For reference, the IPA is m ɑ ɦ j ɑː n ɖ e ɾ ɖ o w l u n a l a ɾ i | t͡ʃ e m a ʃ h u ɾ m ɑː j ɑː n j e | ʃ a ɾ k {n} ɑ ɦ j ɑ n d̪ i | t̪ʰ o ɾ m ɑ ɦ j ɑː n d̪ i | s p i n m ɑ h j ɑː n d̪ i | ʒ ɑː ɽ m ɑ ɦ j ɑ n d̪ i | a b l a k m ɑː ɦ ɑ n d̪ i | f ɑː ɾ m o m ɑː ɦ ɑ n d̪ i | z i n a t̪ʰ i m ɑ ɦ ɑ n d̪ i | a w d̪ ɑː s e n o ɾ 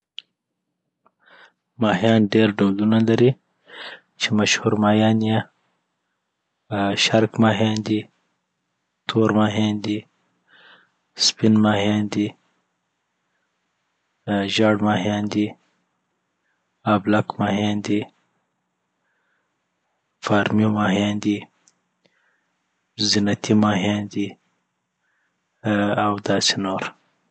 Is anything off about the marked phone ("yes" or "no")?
yes